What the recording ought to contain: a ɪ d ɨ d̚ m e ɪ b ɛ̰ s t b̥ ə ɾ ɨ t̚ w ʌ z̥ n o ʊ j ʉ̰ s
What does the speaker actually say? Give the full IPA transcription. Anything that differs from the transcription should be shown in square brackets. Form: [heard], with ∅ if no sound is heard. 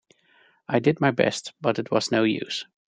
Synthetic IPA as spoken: a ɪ d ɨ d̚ m [a] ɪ b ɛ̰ s t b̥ [ʌ] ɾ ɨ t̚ w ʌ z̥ n o ʊ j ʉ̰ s